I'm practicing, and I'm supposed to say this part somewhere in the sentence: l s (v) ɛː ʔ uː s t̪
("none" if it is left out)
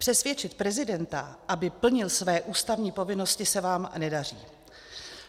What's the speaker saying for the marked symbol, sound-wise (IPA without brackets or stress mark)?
v